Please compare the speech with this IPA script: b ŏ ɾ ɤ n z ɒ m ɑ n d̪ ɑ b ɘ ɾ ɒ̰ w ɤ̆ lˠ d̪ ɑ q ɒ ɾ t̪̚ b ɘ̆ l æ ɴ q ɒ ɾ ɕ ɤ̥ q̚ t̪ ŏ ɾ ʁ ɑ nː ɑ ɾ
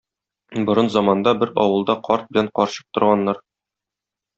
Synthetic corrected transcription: b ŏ ɾ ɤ n z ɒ m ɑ n d̪ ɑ b ɘ ɾ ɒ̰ w ɤ̆ lˠ d̪ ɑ q ɒ ɾ t̪̚ b ɘ̆ l æ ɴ q ɒ ɾ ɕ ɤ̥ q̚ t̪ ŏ ɾ ʁ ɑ nː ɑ ɾ